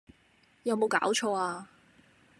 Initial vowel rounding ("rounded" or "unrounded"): unrounded